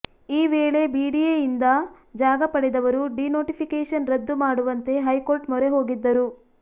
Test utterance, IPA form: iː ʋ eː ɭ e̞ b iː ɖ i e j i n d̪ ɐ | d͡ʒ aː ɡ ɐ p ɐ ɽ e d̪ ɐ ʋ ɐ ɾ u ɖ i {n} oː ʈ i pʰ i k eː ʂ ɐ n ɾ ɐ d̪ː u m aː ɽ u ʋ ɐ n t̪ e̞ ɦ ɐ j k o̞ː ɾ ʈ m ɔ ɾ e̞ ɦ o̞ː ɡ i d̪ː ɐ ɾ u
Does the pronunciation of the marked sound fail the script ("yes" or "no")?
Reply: no